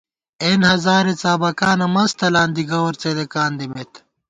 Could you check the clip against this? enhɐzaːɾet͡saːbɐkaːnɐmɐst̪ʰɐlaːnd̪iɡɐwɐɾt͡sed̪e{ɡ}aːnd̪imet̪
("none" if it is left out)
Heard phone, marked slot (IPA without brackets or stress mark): k